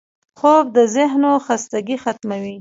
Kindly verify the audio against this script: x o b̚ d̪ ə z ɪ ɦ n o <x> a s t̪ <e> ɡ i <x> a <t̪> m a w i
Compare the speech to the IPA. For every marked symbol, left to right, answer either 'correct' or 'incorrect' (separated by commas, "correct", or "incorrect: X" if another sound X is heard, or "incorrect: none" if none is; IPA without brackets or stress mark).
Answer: correct, incorrect: a, correct, correct